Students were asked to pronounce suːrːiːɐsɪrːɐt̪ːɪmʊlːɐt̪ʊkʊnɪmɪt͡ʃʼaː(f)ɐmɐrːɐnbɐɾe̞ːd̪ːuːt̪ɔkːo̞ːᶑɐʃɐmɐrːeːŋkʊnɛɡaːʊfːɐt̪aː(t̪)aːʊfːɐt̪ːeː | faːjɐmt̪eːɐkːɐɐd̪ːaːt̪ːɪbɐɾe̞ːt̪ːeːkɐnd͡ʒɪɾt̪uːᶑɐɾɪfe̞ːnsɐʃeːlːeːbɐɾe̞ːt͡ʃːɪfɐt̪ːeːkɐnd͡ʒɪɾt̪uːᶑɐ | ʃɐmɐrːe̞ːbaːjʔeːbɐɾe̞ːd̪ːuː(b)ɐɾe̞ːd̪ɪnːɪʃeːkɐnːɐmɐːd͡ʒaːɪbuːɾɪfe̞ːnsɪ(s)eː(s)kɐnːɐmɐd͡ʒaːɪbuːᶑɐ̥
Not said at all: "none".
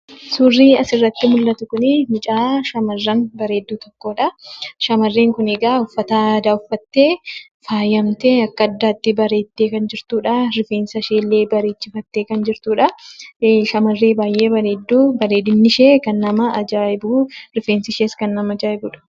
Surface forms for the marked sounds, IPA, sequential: ʃ, d̪, b, ʃ, s

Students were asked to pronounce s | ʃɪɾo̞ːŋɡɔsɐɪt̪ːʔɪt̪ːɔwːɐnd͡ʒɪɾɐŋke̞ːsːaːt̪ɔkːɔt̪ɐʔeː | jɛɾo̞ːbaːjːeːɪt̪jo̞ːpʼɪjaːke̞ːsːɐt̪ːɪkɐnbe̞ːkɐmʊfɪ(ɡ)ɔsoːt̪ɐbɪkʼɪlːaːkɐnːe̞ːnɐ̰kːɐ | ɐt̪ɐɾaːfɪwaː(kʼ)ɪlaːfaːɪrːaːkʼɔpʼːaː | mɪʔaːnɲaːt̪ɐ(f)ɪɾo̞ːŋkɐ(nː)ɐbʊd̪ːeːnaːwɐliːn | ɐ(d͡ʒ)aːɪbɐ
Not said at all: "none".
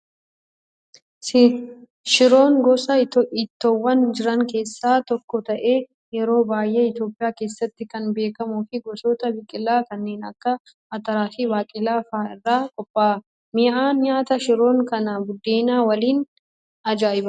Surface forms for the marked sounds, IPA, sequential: ɡ, kʼ, ʃ, n, d͡ʒ

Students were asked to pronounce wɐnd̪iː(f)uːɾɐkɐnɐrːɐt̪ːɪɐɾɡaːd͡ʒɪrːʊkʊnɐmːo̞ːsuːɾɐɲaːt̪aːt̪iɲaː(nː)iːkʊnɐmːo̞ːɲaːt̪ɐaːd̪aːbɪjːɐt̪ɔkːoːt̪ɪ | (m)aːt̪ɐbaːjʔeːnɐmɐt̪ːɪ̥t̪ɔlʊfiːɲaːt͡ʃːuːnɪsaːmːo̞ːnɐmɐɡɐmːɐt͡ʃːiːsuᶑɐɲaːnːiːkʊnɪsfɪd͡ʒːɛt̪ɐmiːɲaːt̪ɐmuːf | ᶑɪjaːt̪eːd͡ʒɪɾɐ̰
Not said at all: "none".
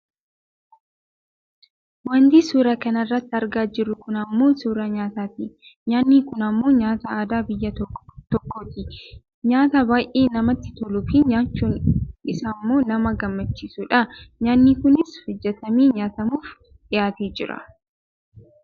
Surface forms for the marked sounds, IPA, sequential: s, nː, ɲ

